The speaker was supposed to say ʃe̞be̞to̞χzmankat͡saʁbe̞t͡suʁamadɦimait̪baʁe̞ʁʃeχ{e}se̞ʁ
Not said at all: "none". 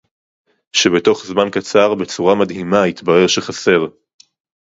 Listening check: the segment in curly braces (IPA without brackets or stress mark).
a